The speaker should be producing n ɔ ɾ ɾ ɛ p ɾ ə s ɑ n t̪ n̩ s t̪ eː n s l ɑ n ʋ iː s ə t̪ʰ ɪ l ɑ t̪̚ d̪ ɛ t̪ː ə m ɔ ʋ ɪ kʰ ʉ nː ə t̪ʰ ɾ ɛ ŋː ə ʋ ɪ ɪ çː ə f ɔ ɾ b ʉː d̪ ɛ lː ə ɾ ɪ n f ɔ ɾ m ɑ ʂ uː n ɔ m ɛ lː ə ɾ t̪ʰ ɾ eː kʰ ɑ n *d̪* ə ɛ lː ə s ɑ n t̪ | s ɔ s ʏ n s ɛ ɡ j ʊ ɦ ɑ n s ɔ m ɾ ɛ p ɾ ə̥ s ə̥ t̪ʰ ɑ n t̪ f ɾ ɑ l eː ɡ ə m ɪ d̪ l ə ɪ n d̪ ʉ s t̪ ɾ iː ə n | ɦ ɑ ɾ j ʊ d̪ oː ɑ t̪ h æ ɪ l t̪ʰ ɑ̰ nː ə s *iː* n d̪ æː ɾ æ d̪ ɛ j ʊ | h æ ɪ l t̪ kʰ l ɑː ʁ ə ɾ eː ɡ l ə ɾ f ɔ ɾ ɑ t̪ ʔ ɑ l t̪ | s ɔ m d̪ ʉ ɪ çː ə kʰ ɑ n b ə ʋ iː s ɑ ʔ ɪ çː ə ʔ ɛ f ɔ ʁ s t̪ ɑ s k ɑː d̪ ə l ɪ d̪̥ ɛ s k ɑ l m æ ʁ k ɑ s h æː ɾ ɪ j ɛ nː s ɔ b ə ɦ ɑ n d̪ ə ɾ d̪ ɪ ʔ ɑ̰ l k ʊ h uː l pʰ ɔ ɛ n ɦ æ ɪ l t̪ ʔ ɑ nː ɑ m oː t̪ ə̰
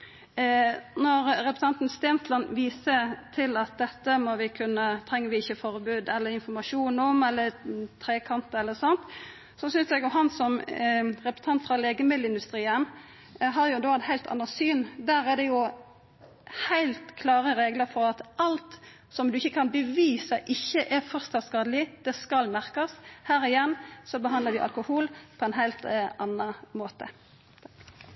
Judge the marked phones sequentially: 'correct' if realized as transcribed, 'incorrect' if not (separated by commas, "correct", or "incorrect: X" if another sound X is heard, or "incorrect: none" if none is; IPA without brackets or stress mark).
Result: incorrect: t̪, incorrect: yː